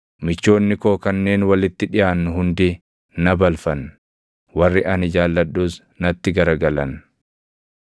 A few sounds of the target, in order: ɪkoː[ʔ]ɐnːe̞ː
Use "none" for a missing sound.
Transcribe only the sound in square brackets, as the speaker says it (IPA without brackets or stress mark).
k